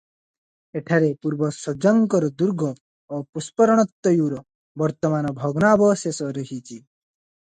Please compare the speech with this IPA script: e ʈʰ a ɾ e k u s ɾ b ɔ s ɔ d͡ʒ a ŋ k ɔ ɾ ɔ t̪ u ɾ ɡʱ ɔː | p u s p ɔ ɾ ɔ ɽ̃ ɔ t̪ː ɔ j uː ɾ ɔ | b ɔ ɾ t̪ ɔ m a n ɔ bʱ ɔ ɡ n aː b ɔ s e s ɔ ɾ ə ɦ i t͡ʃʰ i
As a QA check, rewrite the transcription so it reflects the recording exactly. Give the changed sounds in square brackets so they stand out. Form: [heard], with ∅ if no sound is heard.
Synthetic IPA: e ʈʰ a ɾ e [p] u [∅] ɾ b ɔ s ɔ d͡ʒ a ŋ k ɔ ɾ ɔ [d̪] u ɾ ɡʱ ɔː | p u s p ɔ ɾ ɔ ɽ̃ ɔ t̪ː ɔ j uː ɾ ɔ | b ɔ ɾ t̪ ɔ m a n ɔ bʱ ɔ ɡ n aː b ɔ s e s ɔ ɾ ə ɦ i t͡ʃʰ i